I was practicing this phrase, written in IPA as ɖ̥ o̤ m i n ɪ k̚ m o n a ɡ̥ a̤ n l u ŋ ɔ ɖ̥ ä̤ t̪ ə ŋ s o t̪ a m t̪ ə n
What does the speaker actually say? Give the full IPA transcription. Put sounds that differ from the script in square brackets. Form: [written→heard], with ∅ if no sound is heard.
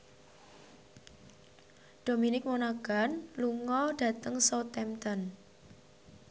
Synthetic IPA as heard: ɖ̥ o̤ m i n ɪ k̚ m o n a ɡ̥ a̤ n l u ŋ ɔ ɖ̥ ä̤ t̪ ə ŋ s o t̪ [a→ɛ] m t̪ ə n